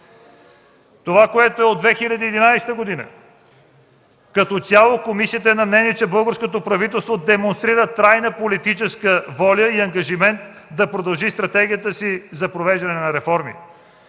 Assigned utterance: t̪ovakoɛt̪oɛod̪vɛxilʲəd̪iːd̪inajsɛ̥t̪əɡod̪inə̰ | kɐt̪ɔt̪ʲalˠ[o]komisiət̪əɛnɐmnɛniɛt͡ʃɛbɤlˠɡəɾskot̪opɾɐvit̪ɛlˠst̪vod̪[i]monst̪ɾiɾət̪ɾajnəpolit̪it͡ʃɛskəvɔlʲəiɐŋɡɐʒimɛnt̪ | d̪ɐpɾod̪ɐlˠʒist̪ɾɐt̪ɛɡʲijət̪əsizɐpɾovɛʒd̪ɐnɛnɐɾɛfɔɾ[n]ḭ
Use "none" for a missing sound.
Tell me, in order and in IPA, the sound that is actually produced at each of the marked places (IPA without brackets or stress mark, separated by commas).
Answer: o, ɛ, m